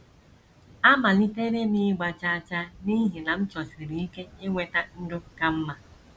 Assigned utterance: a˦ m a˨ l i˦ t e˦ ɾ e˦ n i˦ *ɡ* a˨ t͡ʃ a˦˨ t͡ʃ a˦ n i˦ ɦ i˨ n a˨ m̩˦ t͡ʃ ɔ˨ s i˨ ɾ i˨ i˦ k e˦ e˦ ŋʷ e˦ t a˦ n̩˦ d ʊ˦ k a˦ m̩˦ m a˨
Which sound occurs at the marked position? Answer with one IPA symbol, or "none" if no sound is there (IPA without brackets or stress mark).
ɡ͡b